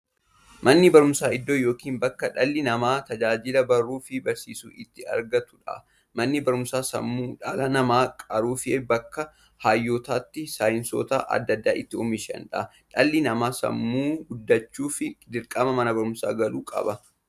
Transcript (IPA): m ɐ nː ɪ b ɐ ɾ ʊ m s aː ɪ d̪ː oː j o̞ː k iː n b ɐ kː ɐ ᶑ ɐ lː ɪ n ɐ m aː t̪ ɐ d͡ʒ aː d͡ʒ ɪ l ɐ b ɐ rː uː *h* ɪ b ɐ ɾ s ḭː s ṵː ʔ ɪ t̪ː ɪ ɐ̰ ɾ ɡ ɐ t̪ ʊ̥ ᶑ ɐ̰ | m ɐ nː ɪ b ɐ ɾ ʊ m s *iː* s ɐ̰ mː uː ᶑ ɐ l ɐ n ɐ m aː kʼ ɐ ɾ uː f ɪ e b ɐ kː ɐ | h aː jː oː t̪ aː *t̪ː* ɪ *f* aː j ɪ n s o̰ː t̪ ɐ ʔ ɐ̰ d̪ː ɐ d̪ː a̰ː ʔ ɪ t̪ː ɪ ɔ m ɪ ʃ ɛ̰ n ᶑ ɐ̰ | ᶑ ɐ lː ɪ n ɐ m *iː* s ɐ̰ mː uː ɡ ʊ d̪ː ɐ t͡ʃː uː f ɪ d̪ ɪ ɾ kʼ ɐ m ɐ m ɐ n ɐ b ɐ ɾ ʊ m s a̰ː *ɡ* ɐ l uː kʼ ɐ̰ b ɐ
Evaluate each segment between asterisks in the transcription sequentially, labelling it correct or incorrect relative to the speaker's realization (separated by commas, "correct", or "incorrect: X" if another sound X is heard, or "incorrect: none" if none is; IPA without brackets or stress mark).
incorrect: f, incorrect: aː, correct, incorrect: s, incorrect: aː, correct